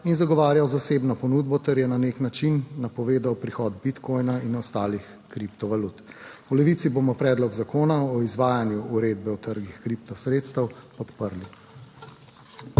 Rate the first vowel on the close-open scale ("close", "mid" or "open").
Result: close